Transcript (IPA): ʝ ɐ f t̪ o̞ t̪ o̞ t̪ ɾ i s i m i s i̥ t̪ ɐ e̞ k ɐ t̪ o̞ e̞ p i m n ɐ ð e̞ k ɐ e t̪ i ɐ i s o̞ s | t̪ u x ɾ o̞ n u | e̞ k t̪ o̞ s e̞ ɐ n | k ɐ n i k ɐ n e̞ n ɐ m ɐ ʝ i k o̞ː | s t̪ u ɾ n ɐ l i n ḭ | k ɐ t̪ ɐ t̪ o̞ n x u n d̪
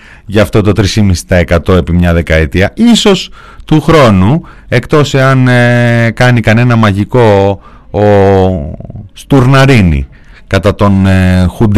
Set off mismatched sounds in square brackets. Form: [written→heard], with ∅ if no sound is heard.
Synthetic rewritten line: ʝ ɐ f t̪ o̞ t̪ o̞ t̪ ɾ i s i m i s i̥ t̪ ɐ e̞ k ɐ t̪ o̞ e̞ p i m [n→ɲ] ɐ ð e̞ k ɐ e t̪ i ɐ i s o̞ s | t̪ u x ɾ o̞ n u | e̞ k t̪ o̞ s e̞ ɐ n | k ɐ n i k ɐ n e̞ n ɐ m ɐ ʝ i k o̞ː | s t̪ u ɾ n ɐ [l→ɾ] i n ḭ | k ɐ t̪ ɐ t̪ o̞ n x u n d̪